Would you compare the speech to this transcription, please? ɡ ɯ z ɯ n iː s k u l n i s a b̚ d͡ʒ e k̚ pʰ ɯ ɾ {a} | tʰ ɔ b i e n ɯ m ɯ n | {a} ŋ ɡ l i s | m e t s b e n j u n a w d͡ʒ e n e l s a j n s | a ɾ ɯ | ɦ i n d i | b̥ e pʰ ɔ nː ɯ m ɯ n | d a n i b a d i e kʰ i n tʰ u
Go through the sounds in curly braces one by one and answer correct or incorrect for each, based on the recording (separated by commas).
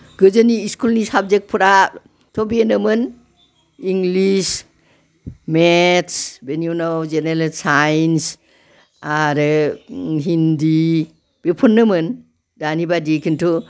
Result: correct, incorrect